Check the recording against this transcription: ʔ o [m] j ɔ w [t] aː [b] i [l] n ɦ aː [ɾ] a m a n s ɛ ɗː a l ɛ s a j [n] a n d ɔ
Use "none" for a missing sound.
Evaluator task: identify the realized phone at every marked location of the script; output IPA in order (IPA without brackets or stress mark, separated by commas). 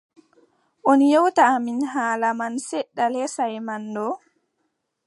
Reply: n, t, m, none, l, m